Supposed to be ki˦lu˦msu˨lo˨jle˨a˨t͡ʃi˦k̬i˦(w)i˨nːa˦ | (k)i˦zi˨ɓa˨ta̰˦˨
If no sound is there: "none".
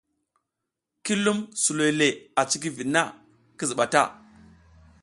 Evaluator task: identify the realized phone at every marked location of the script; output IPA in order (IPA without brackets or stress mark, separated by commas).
v, k